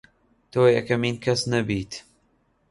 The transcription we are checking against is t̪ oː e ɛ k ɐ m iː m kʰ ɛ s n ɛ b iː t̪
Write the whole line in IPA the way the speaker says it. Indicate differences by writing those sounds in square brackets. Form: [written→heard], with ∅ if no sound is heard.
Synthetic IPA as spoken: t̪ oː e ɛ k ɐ m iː [m→n] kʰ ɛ s n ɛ b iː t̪